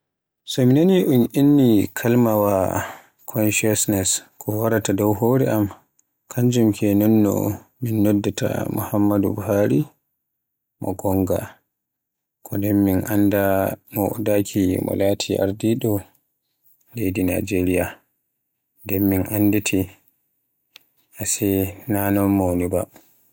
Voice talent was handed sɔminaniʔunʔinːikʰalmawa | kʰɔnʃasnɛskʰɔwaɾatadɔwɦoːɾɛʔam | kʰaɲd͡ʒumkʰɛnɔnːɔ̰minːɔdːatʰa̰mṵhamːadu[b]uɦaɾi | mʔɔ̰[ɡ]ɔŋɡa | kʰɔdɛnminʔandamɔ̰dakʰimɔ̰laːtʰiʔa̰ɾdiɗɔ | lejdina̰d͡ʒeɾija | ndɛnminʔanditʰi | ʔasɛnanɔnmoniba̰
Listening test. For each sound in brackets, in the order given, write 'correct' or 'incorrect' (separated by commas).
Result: correct, correct